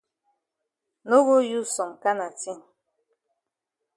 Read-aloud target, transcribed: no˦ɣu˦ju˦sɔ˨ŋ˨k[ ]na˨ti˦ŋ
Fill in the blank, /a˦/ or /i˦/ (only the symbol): a˦